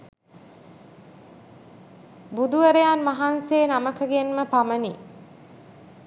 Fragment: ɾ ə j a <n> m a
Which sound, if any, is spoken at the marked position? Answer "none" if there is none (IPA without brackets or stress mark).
n